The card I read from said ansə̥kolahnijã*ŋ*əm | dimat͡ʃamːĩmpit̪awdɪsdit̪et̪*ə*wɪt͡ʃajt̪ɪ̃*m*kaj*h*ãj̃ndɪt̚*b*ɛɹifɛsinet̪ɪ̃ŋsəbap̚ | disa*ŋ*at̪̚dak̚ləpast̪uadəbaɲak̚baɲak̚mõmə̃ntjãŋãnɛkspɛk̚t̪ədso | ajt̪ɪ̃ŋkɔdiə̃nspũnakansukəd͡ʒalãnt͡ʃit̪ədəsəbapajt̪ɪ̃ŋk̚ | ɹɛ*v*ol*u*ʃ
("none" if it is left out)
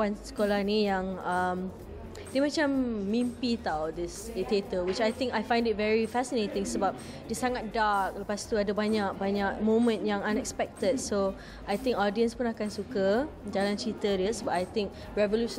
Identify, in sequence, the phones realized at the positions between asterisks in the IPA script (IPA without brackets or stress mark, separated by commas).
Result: ŋ, ə, ŋ, f, v, ŋ, v, u